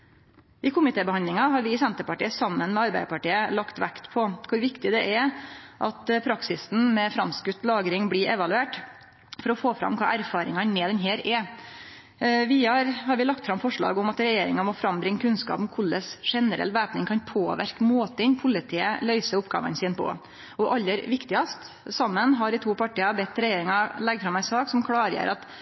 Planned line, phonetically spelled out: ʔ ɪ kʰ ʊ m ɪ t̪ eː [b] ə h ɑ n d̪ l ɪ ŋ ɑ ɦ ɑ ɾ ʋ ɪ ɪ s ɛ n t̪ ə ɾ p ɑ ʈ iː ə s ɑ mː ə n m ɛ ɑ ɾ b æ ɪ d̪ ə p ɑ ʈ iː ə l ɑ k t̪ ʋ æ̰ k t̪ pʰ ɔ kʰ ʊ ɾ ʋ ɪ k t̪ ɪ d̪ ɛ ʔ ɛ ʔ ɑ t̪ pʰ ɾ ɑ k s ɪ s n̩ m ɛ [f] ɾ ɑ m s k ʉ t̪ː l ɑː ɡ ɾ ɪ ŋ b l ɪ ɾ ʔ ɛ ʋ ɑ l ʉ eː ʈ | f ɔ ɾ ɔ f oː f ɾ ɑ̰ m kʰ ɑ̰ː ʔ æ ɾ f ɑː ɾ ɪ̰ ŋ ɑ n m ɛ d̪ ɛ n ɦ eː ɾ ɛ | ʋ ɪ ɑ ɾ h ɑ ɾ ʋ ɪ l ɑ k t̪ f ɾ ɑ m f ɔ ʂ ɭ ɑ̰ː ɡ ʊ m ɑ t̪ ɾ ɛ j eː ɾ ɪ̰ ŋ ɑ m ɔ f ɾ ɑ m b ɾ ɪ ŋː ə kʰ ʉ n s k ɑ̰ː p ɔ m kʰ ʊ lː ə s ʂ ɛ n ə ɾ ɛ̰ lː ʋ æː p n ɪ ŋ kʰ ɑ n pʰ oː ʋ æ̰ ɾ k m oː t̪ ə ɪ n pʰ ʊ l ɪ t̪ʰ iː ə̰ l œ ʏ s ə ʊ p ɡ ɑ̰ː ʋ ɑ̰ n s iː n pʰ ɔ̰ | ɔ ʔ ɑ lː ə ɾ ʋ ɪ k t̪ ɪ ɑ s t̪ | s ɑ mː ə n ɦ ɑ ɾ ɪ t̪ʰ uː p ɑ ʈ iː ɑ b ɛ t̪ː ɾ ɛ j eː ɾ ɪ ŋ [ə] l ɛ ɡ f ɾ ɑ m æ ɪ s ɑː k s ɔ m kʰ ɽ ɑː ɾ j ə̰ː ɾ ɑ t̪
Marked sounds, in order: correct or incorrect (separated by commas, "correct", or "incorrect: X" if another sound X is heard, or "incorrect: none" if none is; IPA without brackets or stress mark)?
correct, correct, incorrect: ɑ